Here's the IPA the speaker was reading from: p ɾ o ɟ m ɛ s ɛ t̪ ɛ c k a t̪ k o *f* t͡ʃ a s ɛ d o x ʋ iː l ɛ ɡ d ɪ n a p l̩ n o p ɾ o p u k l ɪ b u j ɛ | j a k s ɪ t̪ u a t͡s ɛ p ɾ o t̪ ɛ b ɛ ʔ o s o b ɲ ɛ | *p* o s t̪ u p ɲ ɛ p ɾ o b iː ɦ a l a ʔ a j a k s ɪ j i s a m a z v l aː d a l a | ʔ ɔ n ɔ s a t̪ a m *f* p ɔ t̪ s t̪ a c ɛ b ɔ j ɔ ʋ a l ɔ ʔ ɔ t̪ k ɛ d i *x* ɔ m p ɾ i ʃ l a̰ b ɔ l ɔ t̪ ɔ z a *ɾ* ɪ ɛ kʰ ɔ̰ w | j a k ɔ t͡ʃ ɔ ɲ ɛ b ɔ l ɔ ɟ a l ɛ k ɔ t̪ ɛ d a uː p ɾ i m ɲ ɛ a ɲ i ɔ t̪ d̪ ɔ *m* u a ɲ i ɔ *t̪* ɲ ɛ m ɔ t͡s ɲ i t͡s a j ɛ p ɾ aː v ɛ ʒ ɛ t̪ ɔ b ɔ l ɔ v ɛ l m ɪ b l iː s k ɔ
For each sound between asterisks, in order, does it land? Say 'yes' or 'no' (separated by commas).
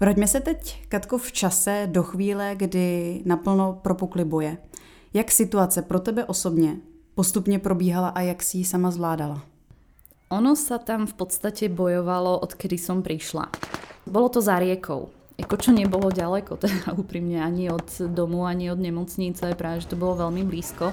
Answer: yes, yes, yes, no, yes, yes, no